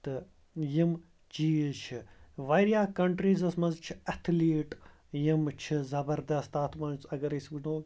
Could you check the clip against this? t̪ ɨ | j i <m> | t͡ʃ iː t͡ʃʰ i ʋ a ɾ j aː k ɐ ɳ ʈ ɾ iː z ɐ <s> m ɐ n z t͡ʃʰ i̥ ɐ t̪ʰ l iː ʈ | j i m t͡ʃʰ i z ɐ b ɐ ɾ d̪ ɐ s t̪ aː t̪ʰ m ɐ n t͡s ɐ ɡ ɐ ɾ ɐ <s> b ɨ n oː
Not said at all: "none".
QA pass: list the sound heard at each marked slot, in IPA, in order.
m, s, s

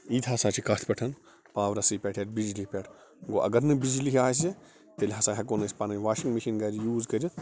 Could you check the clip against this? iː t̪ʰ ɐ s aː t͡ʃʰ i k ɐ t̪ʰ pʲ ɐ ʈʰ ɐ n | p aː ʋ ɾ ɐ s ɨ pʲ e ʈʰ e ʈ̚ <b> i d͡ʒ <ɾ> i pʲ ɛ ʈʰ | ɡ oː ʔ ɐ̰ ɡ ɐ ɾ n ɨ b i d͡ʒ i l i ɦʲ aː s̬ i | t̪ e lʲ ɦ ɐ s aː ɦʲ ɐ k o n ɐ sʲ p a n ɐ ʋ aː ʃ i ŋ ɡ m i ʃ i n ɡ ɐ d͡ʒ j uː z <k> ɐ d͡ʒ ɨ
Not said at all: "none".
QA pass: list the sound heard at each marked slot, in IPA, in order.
b, l, k

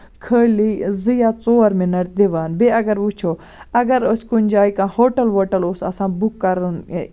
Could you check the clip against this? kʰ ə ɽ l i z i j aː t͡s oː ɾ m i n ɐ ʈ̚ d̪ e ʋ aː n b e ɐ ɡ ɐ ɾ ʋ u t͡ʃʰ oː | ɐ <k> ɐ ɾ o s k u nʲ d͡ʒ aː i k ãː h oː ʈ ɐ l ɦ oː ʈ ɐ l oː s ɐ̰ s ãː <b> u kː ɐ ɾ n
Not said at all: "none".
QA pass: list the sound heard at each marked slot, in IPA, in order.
ɡ, b

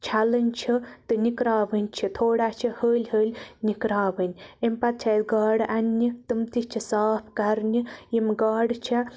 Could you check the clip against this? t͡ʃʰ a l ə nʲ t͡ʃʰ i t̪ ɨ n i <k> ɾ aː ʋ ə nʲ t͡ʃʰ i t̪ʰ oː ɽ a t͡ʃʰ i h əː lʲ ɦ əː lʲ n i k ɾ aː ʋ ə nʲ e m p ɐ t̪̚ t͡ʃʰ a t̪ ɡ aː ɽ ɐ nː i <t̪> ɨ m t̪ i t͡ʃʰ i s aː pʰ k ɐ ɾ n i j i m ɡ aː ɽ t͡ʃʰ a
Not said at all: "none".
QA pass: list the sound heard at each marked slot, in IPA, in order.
k, t̪

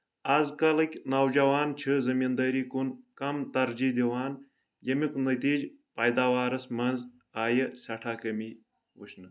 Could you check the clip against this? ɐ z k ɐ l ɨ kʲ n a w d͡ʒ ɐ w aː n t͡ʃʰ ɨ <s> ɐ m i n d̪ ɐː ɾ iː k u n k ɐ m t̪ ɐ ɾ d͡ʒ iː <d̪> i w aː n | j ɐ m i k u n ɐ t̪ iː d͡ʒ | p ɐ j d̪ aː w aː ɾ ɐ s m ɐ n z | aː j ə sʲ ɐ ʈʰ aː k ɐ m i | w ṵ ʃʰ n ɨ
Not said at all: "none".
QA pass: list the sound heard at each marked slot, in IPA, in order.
z, d̪

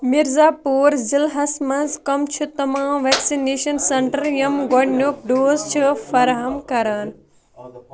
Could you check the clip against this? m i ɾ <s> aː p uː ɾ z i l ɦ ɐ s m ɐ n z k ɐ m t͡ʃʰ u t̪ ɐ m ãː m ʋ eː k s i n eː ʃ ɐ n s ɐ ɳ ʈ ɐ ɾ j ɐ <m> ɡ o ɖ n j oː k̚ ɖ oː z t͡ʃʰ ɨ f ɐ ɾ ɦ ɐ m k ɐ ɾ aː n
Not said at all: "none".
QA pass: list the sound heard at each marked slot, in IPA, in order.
z, m

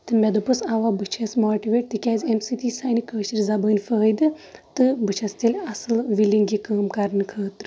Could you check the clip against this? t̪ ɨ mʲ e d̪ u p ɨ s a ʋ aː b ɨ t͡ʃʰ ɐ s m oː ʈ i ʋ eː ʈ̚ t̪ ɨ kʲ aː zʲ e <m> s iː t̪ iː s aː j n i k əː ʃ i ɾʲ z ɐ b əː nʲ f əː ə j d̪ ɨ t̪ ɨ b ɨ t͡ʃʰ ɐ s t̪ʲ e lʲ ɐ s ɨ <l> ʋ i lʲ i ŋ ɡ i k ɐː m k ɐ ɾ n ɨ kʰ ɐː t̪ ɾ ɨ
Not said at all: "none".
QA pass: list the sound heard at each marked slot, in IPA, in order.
m, l

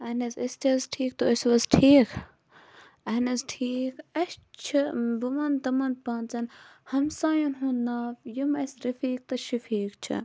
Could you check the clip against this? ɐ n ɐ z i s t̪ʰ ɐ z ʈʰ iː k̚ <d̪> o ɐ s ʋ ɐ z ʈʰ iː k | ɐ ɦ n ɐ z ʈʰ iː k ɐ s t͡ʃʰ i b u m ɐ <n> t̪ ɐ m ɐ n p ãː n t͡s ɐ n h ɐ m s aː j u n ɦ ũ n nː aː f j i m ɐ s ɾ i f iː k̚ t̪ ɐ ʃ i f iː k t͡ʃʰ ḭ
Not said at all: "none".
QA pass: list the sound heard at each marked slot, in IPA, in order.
t̪, n

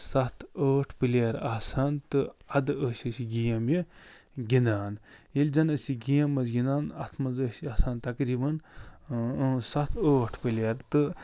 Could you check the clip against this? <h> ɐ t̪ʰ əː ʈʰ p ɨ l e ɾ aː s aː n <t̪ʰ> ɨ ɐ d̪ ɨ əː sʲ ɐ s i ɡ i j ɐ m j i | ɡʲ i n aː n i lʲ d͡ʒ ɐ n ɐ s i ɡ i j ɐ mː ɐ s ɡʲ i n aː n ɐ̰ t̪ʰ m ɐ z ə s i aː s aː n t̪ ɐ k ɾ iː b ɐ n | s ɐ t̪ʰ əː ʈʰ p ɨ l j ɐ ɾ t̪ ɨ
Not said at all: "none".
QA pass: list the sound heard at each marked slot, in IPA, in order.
s, t̪

